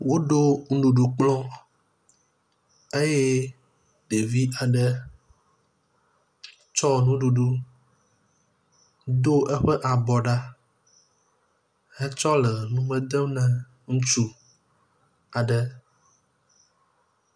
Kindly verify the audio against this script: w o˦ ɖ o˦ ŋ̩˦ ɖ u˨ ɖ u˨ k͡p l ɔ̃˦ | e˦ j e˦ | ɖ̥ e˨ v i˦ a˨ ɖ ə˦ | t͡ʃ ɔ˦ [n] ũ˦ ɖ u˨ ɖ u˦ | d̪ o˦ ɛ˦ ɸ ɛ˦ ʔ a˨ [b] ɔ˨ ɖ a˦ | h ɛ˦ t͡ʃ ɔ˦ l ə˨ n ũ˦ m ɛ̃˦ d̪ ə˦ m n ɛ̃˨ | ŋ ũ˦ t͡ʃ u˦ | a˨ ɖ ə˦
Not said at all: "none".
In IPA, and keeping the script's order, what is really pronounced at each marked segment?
n, b

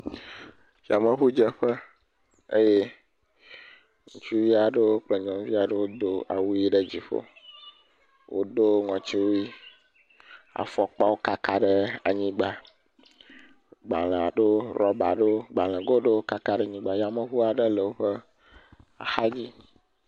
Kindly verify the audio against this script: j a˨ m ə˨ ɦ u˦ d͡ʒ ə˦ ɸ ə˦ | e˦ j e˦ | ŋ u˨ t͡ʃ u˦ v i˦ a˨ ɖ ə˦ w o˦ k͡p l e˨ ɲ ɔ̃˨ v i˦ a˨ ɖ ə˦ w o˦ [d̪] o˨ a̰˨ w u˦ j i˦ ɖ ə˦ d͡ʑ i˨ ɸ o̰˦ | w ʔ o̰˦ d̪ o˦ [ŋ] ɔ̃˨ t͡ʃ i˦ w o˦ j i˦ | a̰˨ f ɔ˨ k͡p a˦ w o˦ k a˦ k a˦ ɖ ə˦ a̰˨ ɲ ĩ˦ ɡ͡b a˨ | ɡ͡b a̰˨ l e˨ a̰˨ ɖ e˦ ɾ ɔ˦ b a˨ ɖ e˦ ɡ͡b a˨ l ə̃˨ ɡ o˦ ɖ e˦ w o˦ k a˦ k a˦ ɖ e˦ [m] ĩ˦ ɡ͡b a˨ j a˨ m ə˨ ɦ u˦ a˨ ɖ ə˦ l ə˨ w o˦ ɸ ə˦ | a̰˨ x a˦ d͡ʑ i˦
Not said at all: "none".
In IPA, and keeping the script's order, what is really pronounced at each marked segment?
d̪, ŋ, ɲ

